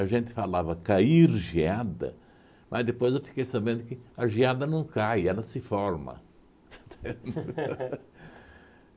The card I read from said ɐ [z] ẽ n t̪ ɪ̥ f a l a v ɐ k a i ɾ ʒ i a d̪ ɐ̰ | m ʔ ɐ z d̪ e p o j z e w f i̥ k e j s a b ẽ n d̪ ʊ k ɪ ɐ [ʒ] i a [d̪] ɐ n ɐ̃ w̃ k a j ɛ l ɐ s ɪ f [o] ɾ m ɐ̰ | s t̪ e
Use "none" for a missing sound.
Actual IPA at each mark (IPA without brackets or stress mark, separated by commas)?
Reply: ʒ, ʒ, d̪, ɔ